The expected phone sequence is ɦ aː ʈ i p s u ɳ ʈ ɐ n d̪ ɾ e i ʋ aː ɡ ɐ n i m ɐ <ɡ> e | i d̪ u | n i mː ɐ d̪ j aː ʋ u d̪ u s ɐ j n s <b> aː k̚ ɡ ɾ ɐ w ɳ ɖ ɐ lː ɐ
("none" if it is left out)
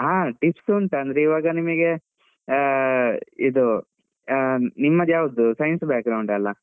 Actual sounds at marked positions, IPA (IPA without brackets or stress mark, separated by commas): ɡ, b